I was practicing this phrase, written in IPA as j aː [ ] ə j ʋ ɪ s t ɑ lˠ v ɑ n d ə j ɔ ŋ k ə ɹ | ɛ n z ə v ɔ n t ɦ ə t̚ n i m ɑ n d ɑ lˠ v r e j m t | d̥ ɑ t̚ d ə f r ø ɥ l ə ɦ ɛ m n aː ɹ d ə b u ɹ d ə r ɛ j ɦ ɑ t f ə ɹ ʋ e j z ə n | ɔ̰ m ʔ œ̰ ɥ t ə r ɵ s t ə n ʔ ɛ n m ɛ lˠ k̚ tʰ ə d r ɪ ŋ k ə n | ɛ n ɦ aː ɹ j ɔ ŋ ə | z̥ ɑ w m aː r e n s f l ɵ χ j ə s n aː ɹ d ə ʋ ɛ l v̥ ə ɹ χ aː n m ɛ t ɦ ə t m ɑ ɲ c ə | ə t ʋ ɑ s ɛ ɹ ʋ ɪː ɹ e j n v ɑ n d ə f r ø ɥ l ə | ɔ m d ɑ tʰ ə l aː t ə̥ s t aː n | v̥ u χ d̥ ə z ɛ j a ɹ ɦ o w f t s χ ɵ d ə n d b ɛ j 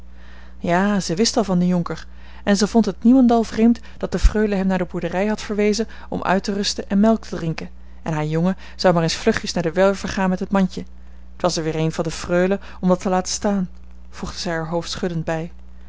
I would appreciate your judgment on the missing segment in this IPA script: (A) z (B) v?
A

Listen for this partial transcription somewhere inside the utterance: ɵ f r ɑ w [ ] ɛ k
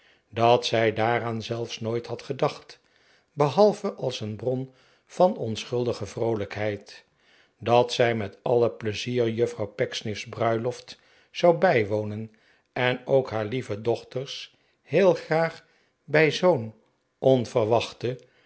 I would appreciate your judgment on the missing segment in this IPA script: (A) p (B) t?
A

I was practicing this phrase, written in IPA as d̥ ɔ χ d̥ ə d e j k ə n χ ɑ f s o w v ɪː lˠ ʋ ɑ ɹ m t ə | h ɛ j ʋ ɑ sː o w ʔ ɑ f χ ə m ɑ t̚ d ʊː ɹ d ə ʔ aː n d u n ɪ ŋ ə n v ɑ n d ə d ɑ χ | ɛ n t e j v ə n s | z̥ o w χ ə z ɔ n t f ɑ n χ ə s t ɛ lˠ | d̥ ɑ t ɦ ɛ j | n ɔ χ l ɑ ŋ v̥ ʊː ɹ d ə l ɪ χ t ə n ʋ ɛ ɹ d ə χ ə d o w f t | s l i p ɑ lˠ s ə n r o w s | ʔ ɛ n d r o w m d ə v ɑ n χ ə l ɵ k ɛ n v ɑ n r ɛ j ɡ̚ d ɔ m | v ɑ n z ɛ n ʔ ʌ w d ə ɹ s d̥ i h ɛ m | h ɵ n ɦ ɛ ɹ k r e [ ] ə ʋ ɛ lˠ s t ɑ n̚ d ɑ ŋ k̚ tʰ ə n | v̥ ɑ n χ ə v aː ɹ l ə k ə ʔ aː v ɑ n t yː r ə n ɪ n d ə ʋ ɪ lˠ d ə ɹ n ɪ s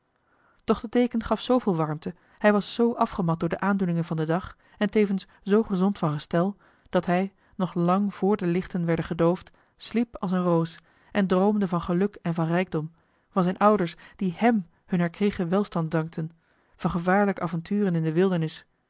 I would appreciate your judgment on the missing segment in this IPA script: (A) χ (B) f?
A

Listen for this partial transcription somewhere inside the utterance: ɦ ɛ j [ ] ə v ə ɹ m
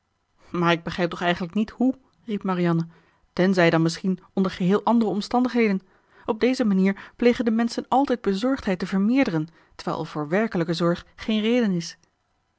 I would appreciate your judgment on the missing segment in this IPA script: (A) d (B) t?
B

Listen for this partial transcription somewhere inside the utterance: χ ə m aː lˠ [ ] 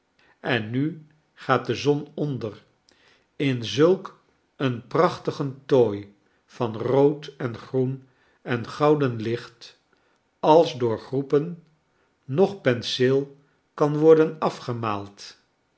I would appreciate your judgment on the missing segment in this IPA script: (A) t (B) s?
A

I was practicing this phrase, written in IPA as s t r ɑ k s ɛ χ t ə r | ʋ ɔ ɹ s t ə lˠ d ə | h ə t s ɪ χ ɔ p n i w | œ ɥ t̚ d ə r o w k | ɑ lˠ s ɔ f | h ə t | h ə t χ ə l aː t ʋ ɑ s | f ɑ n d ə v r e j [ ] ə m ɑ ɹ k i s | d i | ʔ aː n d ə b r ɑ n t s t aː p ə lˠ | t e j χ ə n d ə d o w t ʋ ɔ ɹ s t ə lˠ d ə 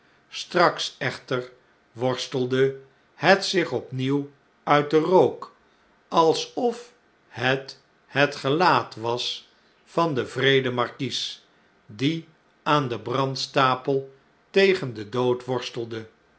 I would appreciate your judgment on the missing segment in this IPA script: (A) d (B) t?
A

